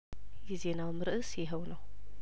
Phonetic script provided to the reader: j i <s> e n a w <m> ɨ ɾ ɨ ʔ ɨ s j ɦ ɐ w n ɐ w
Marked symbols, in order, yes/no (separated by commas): no, yes